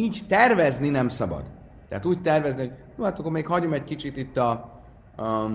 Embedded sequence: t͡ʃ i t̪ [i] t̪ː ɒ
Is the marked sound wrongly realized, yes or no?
no